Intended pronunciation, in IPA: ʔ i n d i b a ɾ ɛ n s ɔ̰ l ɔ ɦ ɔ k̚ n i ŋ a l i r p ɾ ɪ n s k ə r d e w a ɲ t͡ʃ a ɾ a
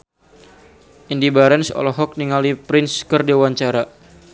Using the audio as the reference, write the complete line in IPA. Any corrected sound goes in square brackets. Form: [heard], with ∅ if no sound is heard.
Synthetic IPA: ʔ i n d i b a ɾ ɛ n s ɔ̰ l ɔ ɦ ɔ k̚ n i ŋ a l i [∅] p ɾ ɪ n s k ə r d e w a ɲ t͡ʃ a ɾ a